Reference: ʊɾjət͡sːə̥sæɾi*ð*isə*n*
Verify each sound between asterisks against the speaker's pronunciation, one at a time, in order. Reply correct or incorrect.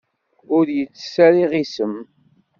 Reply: incorrect: ʁ, incorrect: m

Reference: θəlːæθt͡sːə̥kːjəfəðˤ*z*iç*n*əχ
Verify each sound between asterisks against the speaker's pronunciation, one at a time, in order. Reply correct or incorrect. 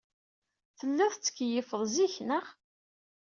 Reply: correct, correct

